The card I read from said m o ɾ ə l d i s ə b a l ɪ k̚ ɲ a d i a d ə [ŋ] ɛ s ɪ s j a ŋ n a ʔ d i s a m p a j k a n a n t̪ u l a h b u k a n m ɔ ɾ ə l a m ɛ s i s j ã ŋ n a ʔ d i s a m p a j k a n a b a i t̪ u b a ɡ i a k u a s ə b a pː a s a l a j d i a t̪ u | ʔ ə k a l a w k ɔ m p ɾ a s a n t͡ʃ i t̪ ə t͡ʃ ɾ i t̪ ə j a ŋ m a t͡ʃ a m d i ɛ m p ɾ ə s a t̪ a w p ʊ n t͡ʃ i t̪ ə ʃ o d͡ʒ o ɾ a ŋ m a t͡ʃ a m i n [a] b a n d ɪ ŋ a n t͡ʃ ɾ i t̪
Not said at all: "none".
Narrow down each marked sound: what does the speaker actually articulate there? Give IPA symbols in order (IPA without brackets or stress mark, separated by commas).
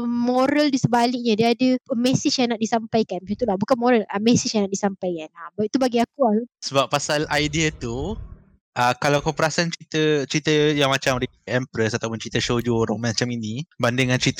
m, i